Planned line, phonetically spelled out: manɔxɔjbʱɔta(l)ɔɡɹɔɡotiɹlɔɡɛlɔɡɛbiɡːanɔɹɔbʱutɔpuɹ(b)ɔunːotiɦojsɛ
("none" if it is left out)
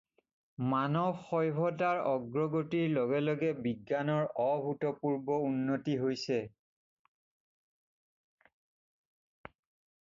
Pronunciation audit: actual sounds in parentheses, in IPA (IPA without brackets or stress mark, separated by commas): ɹ, b